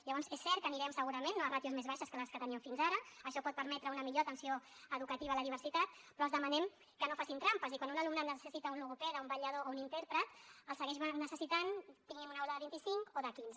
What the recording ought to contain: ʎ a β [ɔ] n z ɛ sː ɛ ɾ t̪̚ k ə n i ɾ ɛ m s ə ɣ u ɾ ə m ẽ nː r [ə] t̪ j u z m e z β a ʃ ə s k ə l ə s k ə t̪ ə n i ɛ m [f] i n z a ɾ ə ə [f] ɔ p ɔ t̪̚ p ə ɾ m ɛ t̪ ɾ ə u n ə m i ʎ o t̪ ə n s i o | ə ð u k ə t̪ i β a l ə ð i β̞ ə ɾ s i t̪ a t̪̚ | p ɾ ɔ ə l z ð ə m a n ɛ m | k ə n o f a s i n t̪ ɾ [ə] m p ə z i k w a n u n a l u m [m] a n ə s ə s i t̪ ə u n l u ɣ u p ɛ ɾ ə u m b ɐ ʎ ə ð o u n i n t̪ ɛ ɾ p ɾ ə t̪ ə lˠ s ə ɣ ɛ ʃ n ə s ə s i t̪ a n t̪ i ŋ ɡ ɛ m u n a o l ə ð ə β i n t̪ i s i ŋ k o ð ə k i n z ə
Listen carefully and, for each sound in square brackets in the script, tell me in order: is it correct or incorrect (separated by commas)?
correct, incorrect, correct, incorrect, incorrect, incorrect